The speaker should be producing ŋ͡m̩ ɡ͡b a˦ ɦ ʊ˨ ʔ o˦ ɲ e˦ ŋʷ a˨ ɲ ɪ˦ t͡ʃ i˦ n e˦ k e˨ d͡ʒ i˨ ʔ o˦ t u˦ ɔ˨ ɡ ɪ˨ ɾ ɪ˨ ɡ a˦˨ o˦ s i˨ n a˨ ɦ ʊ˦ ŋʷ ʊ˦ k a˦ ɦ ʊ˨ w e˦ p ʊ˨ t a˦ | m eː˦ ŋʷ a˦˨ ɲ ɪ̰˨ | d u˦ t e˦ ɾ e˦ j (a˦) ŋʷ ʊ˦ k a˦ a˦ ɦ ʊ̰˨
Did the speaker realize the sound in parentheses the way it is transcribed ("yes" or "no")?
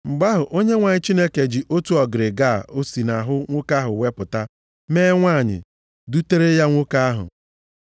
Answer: yes